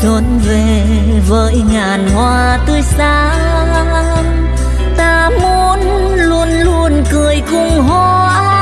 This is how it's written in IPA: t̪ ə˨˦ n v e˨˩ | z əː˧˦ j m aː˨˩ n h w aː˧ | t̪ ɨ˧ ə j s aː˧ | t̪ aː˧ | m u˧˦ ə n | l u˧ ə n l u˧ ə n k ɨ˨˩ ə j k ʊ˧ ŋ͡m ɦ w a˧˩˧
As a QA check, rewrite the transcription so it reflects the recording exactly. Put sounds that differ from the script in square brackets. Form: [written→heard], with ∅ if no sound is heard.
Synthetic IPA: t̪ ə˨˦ n v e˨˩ | [z→v] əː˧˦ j [m→ŋ] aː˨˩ n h w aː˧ | t̪ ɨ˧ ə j s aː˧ | t̪ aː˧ | m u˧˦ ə n | l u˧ ə n l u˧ ə n k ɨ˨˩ ə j k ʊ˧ ŋ͡m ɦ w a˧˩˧